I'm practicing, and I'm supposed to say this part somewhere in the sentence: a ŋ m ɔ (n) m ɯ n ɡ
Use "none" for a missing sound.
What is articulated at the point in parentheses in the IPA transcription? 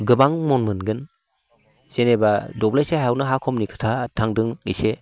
n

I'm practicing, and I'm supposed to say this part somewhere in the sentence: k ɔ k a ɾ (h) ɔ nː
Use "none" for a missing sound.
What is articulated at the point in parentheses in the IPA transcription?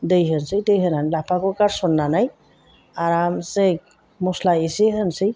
s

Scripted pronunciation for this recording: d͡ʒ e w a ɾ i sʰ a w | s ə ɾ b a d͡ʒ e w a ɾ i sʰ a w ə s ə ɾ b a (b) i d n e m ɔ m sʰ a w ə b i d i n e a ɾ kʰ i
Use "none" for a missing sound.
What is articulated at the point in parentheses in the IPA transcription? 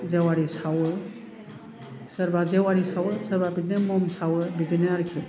b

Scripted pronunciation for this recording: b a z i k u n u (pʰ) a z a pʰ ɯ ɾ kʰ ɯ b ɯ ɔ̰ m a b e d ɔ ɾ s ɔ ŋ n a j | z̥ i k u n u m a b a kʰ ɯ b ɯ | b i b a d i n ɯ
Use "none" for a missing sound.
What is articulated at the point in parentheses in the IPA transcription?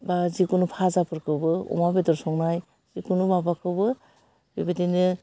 pʰ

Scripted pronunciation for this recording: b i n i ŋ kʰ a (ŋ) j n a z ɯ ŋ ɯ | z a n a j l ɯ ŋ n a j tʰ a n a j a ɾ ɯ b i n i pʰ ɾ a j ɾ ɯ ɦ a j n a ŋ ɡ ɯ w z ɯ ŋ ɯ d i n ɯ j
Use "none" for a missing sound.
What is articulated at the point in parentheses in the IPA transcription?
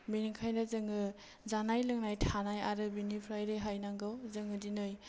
none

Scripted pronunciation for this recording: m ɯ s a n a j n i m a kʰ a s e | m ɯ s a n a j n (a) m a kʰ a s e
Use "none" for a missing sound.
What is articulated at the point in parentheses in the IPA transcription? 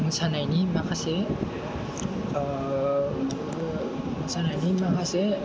i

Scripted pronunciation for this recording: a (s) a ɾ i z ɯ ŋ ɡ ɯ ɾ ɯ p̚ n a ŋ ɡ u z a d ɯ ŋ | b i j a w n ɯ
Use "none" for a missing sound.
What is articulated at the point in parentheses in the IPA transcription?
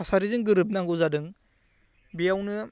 s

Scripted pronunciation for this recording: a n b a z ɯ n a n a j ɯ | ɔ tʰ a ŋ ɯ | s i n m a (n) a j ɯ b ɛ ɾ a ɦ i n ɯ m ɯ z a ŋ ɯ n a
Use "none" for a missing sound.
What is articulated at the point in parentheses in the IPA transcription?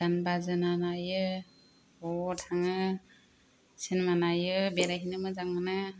n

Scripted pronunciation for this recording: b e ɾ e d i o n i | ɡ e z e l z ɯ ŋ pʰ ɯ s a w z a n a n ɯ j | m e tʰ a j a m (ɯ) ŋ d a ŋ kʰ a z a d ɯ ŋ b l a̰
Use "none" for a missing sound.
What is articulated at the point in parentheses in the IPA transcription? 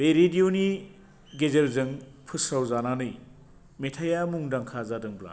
u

